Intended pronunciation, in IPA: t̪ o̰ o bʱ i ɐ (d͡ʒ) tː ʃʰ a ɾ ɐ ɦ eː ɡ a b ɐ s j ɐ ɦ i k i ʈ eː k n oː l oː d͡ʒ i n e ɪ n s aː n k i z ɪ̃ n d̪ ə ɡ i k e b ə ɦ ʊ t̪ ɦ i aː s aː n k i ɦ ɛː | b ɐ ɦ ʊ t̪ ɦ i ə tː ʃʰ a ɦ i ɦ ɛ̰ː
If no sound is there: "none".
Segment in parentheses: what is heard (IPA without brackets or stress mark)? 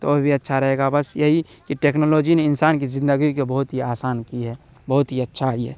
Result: none